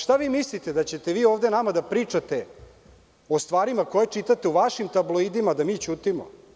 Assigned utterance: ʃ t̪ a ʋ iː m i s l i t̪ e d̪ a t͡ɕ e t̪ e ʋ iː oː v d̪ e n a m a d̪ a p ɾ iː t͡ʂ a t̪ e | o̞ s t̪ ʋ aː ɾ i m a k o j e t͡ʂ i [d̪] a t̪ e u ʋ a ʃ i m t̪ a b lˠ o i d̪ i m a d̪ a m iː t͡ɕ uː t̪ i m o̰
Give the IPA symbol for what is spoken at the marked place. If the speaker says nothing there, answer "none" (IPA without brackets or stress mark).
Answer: t̪